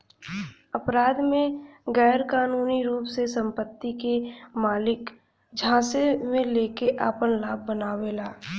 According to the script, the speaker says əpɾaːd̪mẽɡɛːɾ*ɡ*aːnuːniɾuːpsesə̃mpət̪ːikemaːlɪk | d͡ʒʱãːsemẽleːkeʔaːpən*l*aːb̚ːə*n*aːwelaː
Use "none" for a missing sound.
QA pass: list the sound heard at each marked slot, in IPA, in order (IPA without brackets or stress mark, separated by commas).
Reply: k, l, n